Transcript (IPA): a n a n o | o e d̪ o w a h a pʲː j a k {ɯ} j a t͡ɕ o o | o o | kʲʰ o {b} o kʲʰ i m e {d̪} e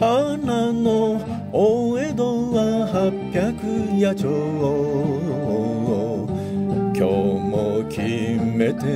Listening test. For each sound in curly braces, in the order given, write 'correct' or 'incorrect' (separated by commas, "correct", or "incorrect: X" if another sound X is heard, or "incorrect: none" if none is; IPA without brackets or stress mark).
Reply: correct, incorrect: m, incorrect: t̪